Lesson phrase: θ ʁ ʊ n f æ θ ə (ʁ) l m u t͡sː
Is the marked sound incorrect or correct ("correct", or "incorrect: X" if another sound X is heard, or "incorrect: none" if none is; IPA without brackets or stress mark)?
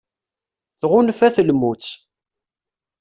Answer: incorrect: none